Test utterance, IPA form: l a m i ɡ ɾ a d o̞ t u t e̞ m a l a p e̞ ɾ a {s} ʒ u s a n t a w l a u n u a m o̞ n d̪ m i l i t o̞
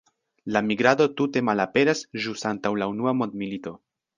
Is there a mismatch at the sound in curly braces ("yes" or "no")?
no